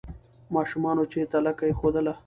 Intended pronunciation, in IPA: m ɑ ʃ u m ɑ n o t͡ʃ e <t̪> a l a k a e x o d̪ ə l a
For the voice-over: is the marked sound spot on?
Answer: yes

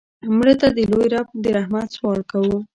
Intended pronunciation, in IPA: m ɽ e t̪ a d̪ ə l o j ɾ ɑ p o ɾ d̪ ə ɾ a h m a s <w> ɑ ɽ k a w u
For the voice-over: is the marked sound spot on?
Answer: yes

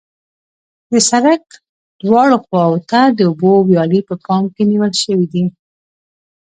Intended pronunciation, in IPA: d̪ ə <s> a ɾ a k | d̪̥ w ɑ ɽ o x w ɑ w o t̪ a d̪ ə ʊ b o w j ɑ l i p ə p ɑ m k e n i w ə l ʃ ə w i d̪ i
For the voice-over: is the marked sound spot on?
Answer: yes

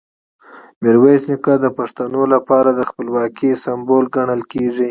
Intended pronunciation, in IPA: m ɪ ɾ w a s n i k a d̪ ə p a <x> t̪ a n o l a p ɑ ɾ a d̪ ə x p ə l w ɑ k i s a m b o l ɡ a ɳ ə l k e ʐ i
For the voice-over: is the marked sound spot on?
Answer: no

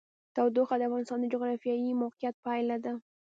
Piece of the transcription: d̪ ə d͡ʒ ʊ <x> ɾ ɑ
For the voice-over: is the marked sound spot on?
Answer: no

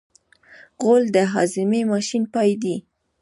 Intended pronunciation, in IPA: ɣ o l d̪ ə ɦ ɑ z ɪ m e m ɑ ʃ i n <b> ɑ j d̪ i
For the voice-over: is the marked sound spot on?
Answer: no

